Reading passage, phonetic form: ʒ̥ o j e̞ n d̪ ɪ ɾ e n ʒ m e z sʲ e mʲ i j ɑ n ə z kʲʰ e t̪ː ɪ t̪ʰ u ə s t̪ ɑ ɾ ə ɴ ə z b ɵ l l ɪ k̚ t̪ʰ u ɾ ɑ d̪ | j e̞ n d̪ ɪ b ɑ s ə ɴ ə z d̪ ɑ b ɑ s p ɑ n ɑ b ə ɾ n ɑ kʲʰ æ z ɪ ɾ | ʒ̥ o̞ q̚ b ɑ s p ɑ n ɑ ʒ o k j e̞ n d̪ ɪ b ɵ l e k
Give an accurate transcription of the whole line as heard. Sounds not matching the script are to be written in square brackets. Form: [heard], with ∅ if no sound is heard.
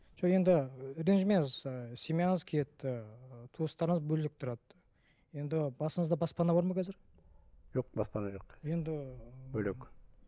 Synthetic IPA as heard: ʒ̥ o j e̞ n d̪ ɪ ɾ e n ʒ m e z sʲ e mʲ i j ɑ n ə z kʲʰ e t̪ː ɪ t̪ʰ u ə s t̪ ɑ ɾ ə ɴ ə z b ɵ l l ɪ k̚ t̪ʰ [ʊ] ɾ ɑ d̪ | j e̞ n d̪ ɪ b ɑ s ə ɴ ə z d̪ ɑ b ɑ s p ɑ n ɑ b [ɑ] ɾ [m] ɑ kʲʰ æ z ɪ ɾ | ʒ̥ o̞ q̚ b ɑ s p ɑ n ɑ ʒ o [q] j e̞ n d̪ ɪ b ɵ l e k

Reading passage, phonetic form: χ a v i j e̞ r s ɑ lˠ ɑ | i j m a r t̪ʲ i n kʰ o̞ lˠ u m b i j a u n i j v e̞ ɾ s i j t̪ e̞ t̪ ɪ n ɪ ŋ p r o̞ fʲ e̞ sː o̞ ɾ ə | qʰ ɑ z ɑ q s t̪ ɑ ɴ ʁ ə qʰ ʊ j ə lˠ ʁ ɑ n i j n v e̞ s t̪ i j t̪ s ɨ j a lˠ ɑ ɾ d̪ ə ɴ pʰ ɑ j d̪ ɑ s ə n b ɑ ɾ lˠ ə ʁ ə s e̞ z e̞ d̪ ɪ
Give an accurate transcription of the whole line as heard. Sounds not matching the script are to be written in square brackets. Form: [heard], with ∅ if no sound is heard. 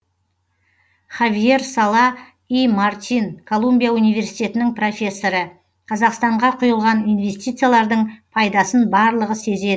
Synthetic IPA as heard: χ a v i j e̞ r s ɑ lˠ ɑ | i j m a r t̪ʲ i n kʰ o̞ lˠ u m b i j a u n i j v e̞ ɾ s i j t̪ e̞ t̪ ɪ n ɪ ŋ p r o̞ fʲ e̞ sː o̞ ɾ ə | qʰ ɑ z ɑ q s t̪ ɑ ɴ ʁ [ɑ] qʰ ʊ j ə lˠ ʁ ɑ n i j n v e̞ s t̪ i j t̪ s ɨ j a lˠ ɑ ɾ d̪ ə ɴ pʰ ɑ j d̪ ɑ s ə n b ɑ ɾ lˠ ə ʁ ə s e̞ z e̞ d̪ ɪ

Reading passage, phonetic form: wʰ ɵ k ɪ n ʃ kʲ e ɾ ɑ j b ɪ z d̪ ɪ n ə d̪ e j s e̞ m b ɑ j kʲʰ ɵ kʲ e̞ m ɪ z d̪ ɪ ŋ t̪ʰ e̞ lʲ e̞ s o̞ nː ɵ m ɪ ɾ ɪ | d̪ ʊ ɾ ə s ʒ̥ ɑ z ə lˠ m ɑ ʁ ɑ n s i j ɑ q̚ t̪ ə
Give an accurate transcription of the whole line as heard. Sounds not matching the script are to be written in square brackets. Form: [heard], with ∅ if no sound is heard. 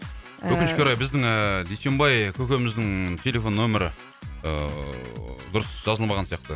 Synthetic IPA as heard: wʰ ɵ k ɪ n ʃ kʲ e ɾ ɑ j b ɪ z d̪ ɪ [ŋ] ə d̪ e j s e̞ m b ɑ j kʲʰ ɵ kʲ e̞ m ɪ z d̪ ɪ ŋ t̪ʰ e̞ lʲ e̞ [f] o̞ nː ɵ m ɪ ɾ ɪ | d̪ ʊ ɾ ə s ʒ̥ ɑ z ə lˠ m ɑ ʁ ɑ n s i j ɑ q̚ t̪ ə

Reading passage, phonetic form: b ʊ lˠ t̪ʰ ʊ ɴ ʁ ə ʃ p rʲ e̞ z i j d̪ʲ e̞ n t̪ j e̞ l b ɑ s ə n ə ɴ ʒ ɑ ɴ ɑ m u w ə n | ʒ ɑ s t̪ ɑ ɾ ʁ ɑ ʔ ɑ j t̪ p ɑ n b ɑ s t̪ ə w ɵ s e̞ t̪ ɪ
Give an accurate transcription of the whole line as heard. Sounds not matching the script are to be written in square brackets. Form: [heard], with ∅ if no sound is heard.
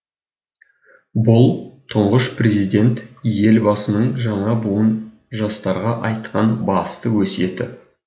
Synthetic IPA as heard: b ʊ lˠ t̪ʰ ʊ ɴ ʁ ə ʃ p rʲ e̞ z i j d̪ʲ e̞ n t̪ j e̞ l b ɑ s ə n ə ɴ ʒ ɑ ɴ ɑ [b] u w ə n | ʒ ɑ s t̪ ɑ ɾ ʁ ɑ ʔ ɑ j t̪ [q] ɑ n b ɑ s t̪ ə w ɵ s e̞ t̪ ɪ

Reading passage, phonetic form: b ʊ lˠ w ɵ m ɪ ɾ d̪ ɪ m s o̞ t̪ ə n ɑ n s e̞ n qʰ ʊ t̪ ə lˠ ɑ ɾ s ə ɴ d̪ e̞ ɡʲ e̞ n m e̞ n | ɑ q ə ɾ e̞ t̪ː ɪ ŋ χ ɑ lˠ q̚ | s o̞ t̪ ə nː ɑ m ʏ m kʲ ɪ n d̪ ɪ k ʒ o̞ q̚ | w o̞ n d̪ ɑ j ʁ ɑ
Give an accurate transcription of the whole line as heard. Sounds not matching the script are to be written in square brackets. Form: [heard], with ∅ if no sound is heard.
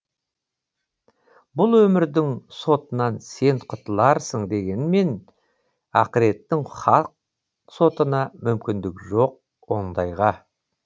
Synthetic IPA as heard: b ʊ lˠ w ɵ m ɪ ɾ d̪ ɪ [ŋ] s o̞ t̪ ə n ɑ n s e̞ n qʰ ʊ t̪ ə lˠ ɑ ɾ s ə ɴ d̪ e̞ ɡʲ e̞ n m e̞ n | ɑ q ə ɾ e̞ t̪ː ɪ ŋ χ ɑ lˠ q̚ | s o̞ t̪ ə [n] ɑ m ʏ m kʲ ɪ n d̪ ɪ k ʒ o̞ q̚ | w o̞ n d̪ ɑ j ʁ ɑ

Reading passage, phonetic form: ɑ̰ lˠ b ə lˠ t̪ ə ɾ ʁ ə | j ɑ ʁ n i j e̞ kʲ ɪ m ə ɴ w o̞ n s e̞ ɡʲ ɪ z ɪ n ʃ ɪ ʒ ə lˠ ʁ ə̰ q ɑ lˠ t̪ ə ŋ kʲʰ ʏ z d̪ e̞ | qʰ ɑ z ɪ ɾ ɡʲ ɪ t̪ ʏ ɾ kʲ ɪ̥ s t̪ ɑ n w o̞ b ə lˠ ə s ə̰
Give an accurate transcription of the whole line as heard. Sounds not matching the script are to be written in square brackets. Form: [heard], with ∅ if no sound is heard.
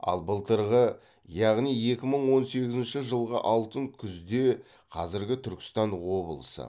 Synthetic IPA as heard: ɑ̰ lˠ b ə lˠ t̪ ə ɾ ʁ ə | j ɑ ʁ n i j e̞ kʲ ɪ m ə ɴ w o̞ n s e̞ ɡʲ ɪ z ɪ n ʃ ɪ ʒ ə lˠ ʁ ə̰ [ʔ] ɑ lˠ t̪ ə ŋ kʲʰ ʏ z d̪ e̞ | qʰ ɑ z ɪ ɾ ɡʲ ɪ [t̪ʰ] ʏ ɾ kʲ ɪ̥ s t̪ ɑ n w o̞ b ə lˠ ə s ə̰

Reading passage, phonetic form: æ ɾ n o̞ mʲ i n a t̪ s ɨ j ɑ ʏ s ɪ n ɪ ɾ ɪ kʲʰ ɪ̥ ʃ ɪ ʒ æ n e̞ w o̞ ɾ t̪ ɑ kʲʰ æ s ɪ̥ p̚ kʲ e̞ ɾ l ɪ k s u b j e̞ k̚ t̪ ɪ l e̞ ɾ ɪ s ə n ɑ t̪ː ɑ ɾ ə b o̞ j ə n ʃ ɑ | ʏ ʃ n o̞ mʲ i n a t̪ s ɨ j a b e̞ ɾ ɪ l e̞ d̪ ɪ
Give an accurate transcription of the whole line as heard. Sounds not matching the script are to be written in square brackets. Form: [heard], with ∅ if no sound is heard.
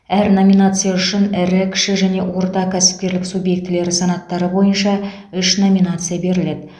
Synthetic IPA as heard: æ ɾ n o̞ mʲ i n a t̪ s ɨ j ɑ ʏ [ʃ] ɪ n ɪ ɾ ɪ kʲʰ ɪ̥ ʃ ɪ ʒ æ n e̞ w o̞ ɾ t̪ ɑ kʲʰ æ s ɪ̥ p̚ kʲ e̞ ɾ l ɪ k s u b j e̞ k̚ t̪ ɪ l e̞ ɾ ɪ s [ɑ] n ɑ t̪ː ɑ ɾ ə b o̞ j ə n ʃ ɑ | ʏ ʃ n o̞ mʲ i n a t̪ s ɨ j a b e̞ ɾ ɪ l e̞ d̪ ɪ

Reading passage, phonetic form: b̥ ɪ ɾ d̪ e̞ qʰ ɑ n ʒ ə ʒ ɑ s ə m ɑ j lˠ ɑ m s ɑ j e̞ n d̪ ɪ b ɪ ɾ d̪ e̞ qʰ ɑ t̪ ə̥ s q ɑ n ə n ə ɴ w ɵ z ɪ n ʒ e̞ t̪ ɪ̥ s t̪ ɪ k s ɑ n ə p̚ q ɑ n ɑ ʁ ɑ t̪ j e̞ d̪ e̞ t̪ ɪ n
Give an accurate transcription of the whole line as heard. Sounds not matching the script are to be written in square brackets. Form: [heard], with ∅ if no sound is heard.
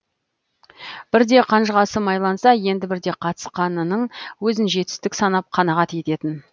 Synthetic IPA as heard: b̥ ɪ ɾ d̪ e̞ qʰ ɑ n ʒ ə [ʁ] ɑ s ə m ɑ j lˠ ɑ [n] s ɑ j e̞ n d̪ ɪ b ɪ ɾ d̪ e̞ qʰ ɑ t̪ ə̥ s q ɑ n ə n ə ɴ w ɵ z ɪ n ʒ e̞ t̪ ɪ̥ s t̪ ɪ k s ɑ n [ɑ] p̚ [qʰ] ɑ n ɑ ʁ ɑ t̪ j e̞ [t̪] e̞ t̪ ɪ n

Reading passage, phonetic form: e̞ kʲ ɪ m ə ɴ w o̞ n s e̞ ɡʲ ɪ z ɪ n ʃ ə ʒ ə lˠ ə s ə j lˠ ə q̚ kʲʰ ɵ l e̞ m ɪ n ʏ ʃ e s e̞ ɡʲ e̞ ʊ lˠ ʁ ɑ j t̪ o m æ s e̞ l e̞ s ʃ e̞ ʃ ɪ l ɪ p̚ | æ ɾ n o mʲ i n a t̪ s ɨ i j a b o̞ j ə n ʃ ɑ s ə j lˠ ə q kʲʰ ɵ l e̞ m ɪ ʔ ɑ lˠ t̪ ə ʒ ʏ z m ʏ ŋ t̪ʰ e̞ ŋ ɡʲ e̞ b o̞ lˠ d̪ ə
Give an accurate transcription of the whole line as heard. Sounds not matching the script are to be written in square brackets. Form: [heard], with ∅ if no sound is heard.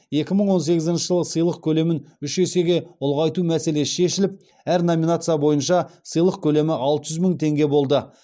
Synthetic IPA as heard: e̞ kʲ ɪ m ə ɴ w o̞ n s e̞ ɡʲ ɪ z ɪ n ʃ ə ʒ ə lˠ ə s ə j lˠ ə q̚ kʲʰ ɵ l e̞ m ɪ n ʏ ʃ e s e̞ ɡʲ e̞ ʊ lˠ ʁ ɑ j t̪ [u] m æ s e̞ l e̞ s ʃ e̞ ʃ ɪ l ɪ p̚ | æ ɾ n o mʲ i n a t̪ s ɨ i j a b o̞ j ə n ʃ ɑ s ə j lˠ ə q kʲʰ ɵ l e̞ m ɪ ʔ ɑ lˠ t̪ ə ʒ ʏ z m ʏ ŋ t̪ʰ e̞ ŋ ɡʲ e̞ b o̞ lˠ d̪ ə

